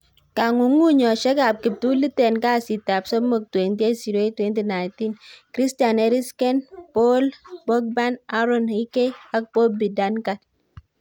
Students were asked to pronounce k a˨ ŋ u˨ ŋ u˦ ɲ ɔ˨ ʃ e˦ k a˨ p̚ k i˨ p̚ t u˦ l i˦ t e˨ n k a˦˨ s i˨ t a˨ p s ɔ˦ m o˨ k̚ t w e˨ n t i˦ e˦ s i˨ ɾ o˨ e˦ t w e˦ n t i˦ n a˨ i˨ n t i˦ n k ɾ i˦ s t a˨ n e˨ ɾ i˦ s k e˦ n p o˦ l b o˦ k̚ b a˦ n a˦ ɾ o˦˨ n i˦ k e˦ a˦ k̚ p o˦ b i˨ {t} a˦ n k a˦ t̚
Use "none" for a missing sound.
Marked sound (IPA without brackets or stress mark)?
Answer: d